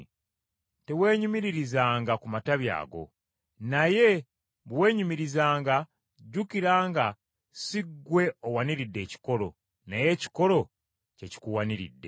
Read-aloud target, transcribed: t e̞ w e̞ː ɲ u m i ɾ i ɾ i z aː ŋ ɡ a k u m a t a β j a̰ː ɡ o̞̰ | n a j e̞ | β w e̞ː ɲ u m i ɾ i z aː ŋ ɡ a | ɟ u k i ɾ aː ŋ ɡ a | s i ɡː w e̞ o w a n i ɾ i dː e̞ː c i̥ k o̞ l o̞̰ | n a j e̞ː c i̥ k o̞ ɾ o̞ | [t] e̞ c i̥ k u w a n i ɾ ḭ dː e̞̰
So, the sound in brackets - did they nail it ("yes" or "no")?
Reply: no